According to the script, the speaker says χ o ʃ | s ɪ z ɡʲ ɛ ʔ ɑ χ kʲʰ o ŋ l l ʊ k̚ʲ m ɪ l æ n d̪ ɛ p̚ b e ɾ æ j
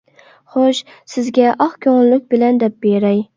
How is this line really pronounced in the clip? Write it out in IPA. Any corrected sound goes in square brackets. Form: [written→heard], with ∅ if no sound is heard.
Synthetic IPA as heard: χ o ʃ | s ɪ z ɡʲ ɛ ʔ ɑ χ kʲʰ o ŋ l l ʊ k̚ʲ [m→b] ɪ l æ n d̪ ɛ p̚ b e ɾ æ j